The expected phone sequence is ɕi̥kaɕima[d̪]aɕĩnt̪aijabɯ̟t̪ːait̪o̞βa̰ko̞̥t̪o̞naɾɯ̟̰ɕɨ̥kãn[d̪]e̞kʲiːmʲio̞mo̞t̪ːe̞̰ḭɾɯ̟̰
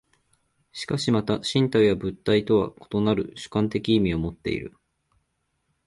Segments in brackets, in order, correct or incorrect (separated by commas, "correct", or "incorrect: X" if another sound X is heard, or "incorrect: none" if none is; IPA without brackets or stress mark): incorrect: t̪, incorrect: t̪